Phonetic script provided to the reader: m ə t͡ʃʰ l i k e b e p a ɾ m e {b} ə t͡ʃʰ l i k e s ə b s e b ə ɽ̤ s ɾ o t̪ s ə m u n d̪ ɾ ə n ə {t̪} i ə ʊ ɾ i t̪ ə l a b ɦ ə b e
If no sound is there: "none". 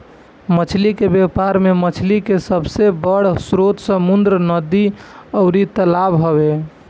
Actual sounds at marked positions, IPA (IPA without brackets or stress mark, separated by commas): m, d̪